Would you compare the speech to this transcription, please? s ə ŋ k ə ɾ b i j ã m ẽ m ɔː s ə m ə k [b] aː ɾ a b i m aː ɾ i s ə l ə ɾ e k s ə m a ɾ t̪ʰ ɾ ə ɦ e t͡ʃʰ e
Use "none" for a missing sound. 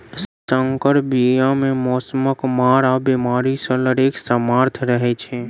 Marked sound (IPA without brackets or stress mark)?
m